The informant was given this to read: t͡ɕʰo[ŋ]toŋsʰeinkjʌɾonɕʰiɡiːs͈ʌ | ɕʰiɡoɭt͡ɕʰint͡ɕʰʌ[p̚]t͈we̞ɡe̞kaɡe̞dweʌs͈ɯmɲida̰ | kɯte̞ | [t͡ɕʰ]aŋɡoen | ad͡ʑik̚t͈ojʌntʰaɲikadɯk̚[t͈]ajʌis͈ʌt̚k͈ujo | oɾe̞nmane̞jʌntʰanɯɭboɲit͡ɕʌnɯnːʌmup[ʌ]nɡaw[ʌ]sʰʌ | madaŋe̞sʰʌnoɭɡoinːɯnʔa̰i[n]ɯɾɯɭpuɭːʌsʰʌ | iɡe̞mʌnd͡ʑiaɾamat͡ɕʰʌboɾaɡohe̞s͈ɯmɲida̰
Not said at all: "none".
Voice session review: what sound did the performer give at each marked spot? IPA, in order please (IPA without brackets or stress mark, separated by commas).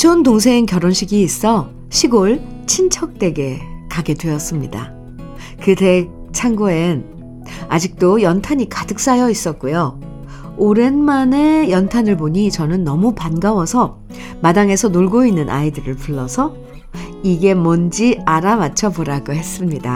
n, k̚, t͡ɕʰ, s͈, a, ʌ, d